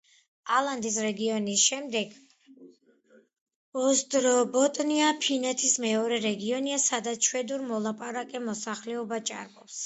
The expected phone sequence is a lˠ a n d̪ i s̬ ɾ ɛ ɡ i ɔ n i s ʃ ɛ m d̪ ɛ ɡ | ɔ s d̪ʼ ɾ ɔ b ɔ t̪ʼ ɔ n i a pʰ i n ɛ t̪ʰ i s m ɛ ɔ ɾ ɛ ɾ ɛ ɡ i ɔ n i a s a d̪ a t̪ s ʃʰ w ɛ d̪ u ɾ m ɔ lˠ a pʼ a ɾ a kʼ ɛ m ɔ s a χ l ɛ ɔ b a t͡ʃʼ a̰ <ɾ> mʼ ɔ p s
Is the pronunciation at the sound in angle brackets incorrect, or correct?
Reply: correct